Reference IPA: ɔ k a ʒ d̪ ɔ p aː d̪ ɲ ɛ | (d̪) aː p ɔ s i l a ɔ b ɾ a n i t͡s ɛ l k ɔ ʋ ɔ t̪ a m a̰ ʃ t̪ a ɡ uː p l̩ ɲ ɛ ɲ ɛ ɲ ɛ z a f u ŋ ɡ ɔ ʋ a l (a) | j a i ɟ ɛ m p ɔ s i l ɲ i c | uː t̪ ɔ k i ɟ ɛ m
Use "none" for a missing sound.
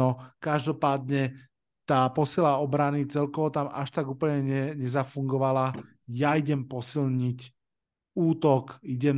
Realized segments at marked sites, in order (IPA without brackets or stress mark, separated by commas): t̪, a